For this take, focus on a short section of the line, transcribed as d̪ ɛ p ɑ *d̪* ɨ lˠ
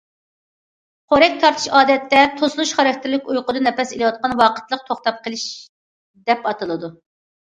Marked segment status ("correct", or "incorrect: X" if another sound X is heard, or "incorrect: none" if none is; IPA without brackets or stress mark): incorrect: t̪